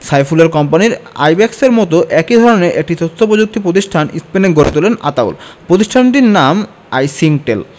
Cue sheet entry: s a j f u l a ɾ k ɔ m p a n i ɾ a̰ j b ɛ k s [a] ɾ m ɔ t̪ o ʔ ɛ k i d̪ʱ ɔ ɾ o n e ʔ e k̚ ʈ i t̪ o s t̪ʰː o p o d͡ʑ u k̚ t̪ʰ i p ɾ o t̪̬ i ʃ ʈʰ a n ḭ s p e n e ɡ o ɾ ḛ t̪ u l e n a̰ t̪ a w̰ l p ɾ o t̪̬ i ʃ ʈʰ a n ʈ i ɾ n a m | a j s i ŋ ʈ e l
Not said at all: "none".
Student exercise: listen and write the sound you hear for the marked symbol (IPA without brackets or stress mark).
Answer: e